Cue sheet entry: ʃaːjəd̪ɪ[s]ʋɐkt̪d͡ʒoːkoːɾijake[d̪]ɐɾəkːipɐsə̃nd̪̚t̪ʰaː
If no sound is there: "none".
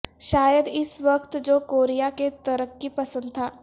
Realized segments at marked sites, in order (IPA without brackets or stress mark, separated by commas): s, t̪